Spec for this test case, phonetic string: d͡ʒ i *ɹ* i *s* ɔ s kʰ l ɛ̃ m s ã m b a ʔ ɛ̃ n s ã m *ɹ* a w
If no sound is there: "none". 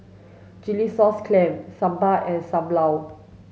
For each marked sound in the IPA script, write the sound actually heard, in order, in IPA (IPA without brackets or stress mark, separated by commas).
l, s, l